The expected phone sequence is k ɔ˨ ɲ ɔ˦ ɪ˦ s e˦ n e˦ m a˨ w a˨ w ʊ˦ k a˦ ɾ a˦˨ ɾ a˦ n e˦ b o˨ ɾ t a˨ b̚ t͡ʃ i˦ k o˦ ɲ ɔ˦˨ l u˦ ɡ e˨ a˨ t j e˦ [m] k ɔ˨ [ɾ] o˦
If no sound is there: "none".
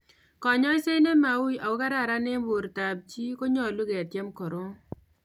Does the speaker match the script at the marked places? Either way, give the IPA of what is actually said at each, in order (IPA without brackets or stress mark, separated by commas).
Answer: m, ɾ